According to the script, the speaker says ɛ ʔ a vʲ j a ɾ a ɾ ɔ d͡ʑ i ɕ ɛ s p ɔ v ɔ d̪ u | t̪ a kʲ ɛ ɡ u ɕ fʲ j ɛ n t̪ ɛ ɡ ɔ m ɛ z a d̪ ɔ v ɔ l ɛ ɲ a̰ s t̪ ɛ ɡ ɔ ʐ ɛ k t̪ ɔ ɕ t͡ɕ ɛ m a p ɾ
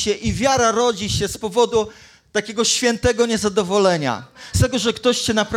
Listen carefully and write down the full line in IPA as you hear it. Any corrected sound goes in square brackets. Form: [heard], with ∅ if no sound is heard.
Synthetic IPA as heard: ɛ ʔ [i] vʲ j a ɾ a ɾ ɔ d͡ʑ i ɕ ɛ s p ɔ v ɔ d̪ u | t̪ a kʲ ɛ ɡ [ɔ] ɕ fʲ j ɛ n t̪ ɛ ɡ ɔ [ɲ] ɛ z a d̪ ɔ v ɔ l ɛ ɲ a̰ s t̪ ɛ ɡ ɔ ʐ ɛ k t̪ ɔ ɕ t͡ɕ ɛ [n] a p ɾ